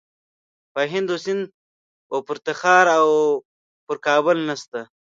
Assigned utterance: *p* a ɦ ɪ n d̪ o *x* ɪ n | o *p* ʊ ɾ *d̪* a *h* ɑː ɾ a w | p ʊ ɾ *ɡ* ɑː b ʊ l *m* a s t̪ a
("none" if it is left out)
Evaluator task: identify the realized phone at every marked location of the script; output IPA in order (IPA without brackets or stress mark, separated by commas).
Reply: p, s, p, t̪, x, k, n